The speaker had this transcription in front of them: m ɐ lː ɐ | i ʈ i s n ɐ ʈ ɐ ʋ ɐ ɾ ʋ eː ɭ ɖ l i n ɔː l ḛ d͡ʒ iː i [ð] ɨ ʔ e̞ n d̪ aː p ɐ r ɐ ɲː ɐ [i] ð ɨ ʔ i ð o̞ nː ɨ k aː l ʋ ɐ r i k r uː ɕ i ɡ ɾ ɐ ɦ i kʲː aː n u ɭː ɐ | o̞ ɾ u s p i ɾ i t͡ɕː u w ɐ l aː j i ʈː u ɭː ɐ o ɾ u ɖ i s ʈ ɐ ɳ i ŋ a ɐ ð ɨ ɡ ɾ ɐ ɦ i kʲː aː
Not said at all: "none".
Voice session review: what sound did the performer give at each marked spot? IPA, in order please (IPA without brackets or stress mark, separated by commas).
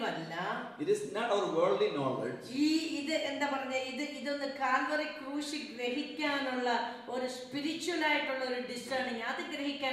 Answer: ð, i